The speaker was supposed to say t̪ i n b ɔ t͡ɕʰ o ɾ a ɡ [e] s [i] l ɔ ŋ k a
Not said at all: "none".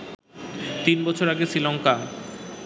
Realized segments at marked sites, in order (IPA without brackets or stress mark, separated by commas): e, i